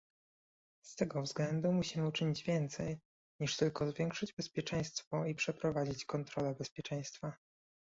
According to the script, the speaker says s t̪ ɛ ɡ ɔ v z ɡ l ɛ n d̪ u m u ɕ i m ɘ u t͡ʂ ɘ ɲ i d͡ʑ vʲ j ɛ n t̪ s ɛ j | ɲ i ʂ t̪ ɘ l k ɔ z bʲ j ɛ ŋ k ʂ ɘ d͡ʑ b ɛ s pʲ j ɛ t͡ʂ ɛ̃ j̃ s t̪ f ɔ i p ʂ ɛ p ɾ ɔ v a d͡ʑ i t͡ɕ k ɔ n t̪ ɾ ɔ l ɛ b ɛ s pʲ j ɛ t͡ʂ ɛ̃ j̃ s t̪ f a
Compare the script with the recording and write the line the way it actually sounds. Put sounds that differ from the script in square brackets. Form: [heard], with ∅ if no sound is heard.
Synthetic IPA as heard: s t̪ ɛ ɡ ɔ v z ɡ l ɛ n d̪ u m u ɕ i m ɘ u t͡ʂ ɘ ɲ i d͡ʑ vʲ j ɛ n t̪ s ɛ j | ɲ i ʂ t̪ ɘ l k ɔ z [vʲ] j ɛ ŋ k ʂ ɘ d͡ʑ b ɛ s pʲ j ɛ t͡ʂ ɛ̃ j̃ s t̪ f ɔ i p ʂ ɛ p ɾ ɔ v a d͡ʑ i t͡ɕ k ɔ n t̪ ɾ ɔ l ɛ b ɛ s pʲ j ɛ t͡ʂ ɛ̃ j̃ s t̪ f a